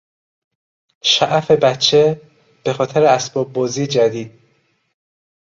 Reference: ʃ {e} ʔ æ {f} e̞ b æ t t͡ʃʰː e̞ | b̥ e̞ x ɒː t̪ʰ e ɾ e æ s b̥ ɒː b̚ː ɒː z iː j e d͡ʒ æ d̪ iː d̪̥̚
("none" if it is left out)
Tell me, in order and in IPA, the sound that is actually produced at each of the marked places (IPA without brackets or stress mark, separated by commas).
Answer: æ, f